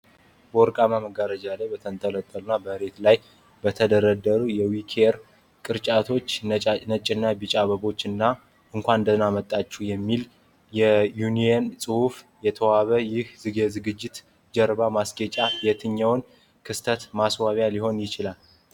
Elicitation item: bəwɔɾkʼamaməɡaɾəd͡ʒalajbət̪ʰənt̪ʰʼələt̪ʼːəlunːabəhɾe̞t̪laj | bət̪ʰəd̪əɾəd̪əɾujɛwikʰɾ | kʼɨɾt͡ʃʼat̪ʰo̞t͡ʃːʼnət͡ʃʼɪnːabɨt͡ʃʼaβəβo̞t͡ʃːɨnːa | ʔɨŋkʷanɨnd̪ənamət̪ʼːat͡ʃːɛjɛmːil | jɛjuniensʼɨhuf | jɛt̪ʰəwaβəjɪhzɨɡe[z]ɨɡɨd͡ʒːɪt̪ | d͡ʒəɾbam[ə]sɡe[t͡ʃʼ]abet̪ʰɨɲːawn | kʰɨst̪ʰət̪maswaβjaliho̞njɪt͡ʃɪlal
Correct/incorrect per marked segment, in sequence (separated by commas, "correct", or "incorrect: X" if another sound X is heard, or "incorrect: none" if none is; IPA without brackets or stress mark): correct, incorrect: a, correct